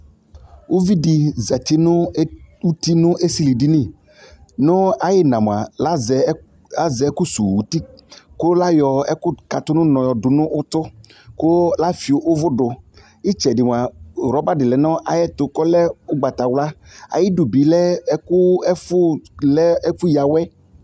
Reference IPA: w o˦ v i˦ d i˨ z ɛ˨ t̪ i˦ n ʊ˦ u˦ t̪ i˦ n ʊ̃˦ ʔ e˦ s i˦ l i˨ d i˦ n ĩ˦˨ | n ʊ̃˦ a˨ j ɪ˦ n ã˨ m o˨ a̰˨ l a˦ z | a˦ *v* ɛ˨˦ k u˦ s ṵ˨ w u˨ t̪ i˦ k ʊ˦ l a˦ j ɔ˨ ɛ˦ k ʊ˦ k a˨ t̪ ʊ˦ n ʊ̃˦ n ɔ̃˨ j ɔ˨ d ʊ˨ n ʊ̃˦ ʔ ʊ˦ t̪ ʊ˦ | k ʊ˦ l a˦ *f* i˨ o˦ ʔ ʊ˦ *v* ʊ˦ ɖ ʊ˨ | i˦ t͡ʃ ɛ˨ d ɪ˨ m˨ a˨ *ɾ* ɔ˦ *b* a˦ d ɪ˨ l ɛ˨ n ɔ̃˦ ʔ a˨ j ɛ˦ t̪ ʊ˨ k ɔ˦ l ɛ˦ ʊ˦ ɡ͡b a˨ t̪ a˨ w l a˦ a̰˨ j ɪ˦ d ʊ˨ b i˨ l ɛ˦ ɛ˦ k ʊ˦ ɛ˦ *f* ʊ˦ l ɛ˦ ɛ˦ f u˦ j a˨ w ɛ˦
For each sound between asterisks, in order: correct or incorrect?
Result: incorrect, correct, correct, correct, correct, correct

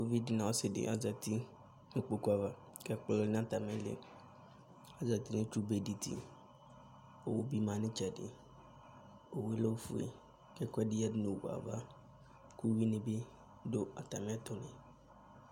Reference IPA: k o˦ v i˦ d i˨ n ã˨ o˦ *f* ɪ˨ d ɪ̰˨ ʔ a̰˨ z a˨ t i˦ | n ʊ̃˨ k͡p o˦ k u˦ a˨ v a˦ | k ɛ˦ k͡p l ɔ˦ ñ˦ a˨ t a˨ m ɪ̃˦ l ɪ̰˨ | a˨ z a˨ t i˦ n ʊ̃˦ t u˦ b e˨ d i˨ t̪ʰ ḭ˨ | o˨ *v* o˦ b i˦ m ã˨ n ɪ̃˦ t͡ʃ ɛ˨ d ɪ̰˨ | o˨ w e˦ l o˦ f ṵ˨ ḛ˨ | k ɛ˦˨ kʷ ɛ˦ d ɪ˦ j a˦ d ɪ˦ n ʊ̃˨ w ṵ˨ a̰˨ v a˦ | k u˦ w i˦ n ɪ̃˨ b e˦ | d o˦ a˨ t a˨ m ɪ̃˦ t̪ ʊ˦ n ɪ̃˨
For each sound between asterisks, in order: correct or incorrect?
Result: incorrect, incorrect

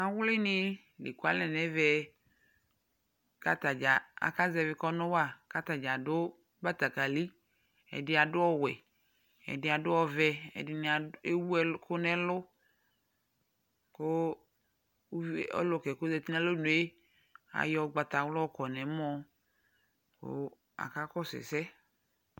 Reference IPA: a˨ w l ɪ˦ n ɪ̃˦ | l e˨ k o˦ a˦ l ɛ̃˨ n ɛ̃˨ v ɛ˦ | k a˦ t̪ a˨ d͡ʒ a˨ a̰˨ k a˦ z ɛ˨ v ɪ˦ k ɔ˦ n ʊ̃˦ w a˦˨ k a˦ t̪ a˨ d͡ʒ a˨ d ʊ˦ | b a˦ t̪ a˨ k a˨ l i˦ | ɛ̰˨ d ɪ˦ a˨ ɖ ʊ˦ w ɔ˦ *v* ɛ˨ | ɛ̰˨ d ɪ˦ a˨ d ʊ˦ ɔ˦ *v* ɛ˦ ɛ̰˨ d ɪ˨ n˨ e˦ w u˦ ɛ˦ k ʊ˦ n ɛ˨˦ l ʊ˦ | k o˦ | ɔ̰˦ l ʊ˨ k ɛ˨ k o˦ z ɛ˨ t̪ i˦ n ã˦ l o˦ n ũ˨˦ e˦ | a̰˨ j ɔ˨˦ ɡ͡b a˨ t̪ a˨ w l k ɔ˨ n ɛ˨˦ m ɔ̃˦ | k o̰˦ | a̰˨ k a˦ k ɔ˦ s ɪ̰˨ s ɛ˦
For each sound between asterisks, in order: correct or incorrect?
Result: incorrect, correct

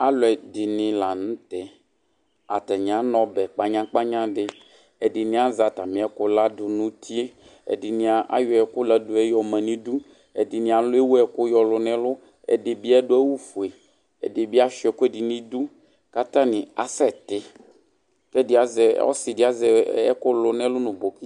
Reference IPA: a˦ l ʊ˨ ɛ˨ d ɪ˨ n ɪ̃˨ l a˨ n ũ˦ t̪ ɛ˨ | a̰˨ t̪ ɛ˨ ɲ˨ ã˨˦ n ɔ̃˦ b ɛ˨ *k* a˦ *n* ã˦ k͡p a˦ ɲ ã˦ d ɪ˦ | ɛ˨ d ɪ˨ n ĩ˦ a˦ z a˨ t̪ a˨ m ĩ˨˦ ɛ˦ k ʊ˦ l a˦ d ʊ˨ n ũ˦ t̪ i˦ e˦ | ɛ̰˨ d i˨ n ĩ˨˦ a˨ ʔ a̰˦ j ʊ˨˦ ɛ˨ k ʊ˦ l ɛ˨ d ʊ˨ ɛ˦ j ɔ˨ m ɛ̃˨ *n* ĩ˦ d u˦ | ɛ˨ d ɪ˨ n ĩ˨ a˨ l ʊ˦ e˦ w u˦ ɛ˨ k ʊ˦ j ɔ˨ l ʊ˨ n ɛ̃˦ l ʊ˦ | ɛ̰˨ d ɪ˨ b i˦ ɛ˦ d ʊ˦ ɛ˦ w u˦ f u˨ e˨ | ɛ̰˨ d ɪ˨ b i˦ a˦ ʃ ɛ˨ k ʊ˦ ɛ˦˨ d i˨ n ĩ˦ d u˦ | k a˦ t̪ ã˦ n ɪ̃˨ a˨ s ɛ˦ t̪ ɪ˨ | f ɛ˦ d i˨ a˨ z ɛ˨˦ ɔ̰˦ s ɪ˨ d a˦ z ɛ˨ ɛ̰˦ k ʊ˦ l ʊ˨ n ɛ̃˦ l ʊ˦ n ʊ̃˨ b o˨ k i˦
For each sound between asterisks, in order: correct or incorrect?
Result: incorrect, incorrect, correct

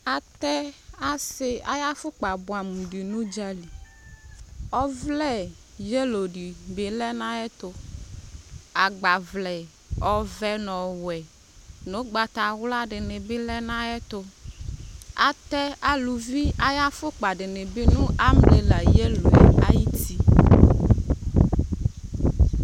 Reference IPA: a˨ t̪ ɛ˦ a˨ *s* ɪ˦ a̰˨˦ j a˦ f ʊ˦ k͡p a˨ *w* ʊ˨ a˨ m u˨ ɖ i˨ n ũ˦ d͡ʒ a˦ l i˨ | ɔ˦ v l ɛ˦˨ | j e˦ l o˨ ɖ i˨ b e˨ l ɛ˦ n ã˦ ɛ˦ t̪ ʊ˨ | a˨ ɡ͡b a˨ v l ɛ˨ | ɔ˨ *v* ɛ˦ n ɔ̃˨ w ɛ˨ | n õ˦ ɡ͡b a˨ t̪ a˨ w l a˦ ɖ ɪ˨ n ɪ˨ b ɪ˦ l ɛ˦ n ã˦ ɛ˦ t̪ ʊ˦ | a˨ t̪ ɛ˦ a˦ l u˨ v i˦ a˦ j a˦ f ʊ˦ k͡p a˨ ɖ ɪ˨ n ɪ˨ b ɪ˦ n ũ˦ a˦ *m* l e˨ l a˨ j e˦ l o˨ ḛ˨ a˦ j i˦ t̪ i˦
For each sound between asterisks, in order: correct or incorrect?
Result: correct, incorrect, correct, correct

